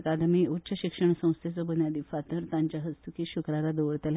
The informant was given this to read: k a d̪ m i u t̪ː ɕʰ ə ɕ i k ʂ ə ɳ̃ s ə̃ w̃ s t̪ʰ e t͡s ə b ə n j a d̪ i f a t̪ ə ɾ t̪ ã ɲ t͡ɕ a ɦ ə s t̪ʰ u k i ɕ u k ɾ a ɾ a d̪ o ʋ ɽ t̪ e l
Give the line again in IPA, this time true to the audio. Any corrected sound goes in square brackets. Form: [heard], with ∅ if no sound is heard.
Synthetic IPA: k a d̪ m i u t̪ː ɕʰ ə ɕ i k ʂ ə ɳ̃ s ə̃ w̃ s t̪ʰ e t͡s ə b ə n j a d̪ i f a t̪ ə ɾ t̪ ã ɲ t͡ɕ a ɦ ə s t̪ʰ u k i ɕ u k ɾ a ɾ a d̪ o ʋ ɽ t̪ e l